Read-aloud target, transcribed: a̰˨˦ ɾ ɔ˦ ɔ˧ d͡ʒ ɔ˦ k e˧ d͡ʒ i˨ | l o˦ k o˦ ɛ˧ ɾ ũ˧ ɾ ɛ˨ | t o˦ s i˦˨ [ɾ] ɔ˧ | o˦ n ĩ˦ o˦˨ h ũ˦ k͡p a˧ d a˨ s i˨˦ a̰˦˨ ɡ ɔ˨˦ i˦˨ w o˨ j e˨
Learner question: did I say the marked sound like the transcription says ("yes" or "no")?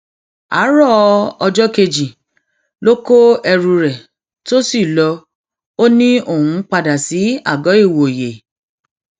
no